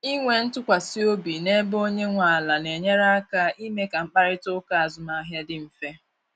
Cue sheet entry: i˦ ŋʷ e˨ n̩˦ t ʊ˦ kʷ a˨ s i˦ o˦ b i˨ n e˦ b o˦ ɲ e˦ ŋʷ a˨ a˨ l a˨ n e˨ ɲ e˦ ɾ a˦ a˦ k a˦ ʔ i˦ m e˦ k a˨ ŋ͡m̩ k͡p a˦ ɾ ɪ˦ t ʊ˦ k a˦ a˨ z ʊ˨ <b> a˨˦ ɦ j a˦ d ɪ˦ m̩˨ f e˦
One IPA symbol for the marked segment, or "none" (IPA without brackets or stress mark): m